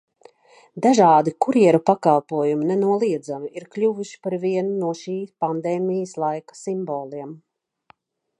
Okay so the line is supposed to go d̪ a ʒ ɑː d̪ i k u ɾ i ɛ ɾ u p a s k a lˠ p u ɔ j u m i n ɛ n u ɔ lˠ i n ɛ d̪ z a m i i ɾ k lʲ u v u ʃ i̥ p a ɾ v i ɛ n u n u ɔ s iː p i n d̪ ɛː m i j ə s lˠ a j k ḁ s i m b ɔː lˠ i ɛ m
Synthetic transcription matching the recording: d̪ a ʒ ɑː d̪ i k u ɾ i ɛ ɾ u p a k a lˠ p u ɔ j u m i n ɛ n u ɔ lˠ i ɛ d̪ z a m i i ɾ k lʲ u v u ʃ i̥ p a ɾ v i ɛ n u n u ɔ ʃ iː p a n d̪ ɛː m i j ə s lˠ a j k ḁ s i m b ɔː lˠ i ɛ m